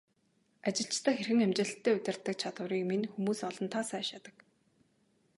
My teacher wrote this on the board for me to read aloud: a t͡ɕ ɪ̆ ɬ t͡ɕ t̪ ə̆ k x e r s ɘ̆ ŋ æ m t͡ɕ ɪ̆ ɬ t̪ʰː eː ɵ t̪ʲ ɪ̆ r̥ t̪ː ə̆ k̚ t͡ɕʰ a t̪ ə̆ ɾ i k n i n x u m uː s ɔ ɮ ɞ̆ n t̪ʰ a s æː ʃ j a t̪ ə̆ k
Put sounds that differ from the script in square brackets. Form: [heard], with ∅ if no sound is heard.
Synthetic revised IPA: a t͡ɕ ɪ̆ ɬ t͡ɕ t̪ ə̆ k x e r [x] ɘ̆ ŋ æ m t͡ɕ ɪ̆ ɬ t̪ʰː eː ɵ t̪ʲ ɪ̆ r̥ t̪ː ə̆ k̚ t͡ɕʰ a t̪ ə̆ ɾ [iː] k [m] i n x u m uː s ɔ ɮ ɞ̆ n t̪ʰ a s æː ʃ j a t̪ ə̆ k